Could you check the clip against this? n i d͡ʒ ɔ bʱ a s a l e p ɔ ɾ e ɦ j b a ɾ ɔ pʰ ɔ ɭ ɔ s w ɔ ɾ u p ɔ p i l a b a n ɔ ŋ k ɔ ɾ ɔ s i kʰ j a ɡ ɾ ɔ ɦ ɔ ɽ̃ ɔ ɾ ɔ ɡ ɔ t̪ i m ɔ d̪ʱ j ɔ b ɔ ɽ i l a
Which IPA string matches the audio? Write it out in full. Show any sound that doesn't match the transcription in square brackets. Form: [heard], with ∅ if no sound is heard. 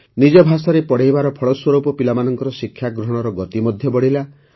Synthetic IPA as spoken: n i d͡ʒ ɔ bʱ a s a [ɾ] e p ɔ [ɽ] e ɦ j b a ɾ ɔ pʰ ɔ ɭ ɔ s w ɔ ɾ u p ɔ p i l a [m] a n ɔ ŋ k ɔ ɾ ɔ s i kʰ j a ɡ ɾ ɔ ɦ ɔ ɽ̃ ɔ ɾ ɔ ɡ ɔ t̪ i m ɔ d̪ʱ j ɔ b ɔ ɽ i l a

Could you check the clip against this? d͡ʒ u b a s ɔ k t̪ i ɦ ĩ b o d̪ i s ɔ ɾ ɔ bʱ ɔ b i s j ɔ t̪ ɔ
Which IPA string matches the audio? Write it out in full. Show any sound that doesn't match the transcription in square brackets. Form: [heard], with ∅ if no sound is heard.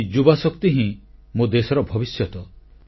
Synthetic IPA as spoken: d͡ʒ u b a s ɔ k t̪ i ɦ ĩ [m] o d̪ [e] s ɔ ɾ ɔ bʱ ɔ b i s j ɔ t̪ ɔ

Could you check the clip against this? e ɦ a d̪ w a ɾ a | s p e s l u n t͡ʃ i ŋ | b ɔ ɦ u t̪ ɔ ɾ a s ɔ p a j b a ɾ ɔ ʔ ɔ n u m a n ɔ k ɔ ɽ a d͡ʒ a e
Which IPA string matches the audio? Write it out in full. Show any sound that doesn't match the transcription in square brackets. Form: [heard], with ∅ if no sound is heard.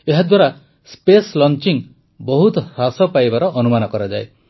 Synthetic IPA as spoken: e ɦ a d̪ w a ɾ a | s p e s l [ɔ] n t͡ʃ i ŋ | b ɔ ɦ u t̪ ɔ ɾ a s ɔ p a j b a ɾ ɔ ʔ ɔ n u m a n ɔ k ɔ [ɾ] a d͡ʒ a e

